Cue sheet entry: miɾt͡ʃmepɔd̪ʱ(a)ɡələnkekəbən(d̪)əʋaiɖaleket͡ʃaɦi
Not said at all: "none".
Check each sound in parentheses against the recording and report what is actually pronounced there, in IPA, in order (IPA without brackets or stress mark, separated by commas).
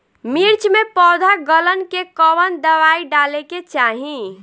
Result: a, d̪